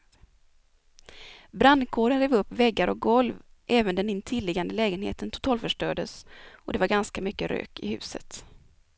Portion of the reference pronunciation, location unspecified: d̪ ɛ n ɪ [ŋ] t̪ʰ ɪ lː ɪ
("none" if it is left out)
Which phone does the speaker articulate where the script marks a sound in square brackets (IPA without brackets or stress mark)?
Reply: n